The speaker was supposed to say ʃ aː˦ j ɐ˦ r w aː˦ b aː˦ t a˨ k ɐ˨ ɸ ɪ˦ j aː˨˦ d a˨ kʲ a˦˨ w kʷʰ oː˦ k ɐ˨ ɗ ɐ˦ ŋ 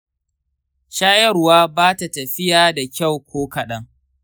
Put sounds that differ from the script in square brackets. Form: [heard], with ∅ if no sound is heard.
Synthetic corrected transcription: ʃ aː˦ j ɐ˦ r w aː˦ b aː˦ t a˨ [t] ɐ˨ ɸ ɪ˦ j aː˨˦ d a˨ kʲ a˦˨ w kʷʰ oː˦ k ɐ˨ ɗ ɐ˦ ŋ